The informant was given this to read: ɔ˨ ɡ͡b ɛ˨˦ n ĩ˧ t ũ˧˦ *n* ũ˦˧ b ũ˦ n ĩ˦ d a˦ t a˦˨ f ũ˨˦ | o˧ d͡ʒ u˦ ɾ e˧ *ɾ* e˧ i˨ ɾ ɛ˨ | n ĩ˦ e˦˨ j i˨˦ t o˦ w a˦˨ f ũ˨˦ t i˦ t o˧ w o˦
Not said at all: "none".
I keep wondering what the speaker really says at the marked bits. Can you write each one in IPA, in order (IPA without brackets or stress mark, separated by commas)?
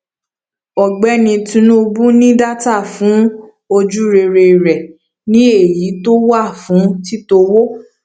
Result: n, ɾ